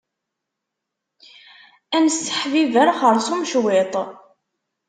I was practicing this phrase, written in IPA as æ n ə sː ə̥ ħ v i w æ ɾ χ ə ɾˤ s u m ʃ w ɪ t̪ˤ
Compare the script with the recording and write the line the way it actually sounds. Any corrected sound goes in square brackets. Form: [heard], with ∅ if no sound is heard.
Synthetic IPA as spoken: æ n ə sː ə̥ ħ v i [v] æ ɾ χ ə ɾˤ s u m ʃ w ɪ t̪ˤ